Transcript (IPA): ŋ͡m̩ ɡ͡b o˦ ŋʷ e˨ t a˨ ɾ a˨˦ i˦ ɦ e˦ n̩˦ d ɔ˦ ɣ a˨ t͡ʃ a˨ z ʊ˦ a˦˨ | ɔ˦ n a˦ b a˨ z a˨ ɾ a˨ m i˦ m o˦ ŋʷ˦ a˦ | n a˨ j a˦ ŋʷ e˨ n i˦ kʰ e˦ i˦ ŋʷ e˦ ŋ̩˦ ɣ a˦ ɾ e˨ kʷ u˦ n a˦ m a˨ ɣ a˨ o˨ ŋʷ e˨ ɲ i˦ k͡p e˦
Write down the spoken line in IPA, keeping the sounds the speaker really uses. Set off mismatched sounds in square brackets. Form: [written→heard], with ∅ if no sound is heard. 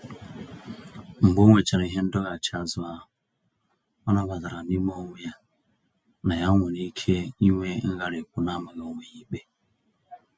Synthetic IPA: ŋ͡m̩ ɡ͡b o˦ ŋʷ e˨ [t→t͡ʃ] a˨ ɾ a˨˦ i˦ ɦ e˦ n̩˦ d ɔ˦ ɣ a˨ t͡ʃ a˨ z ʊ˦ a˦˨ | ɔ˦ n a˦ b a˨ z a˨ ɾ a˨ [m→n] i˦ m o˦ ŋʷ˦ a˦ | n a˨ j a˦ ŋʷ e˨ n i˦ kʰ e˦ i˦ ŋʷ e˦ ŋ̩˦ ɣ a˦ ɾ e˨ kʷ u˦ n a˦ m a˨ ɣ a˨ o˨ ŋʷ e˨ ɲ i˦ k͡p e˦